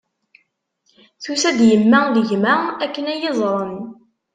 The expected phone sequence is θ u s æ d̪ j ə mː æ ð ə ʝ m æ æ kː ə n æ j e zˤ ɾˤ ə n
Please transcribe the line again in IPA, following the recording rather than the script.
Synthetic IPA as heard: θ u s æ d̪ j ə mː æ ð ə ʝ m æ æ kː ə n æ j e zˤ ɾˤ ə n